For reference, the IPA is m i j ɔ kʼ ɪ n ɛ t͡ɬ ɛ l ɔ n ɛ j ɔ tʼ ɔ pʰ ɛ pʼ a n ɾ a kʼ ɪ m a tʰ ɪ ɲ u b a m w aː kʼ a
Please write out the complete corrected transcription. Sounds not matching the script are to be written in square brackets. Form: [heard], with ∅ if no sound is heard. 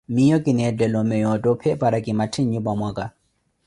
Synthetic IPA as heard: m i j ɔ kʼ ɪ n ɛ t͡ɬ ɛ l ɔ [m] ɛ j ɔ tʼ ɔ pʰ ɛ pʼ a [∅] ɾ a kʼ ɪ m a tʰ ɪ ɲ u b a m w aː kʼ a